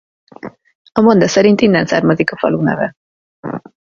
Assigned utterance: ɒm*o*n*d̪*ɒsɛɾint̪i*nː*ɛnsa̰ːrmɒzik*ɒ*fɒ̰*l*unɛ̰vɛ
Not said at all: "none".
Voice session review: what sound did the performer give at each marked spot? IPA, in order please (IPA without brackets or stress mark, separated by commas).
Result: o, d̪, nː, ɒ, l